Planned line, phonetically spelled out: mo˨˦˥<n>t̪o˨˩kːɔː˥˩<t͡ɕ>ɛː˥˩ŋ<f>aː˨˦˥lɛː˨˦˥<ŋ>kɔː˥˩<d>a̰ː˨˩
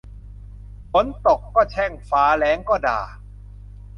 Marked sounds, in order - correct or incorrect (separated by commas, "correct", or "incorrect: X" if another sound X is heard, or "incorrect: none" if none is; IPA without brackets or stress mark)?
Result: correct, incorrect: t͡ɕʰ, correct, correct, correct